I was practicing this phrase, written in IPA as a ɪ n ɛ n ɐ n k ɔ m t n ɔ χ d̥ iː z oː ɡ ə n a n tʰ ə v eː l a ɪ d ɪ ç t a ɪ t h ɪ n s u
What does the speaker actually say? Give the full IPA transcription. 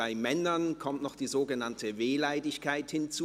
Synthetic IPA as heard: a ɪ m ɛ n ɐ n kʰ ɔ m t n ɔ χ d̥ iː z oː ɡ ə n a n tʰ ə v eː l a ɪ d ɪ ç k a ɪ t h ɪ n t͡s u